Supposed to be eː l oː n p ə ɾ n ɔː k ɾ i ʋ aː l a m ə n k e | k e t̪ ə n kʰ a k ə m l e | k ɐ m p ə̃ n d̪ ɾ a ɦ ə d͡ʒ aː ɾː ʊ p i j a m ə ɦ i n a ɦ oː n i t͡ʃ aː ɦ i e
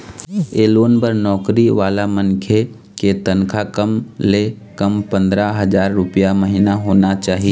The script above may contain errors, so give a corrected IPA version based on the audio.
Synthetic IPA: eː l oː n p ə ɾ n ɔː k ɾ i ʋ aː l a m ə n kʰ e | k e t̪ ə n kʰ a k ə m l e | k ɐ m p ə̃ n d̪ ɾ a ɦ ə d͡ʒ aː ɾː ʊ p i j a m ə ɦ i n a ɦ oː n a t͡ʃ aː ɦ i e